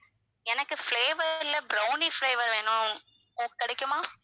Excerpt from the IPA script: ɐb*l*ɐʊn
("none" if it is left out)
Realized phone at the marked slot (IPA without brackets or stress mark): ɾ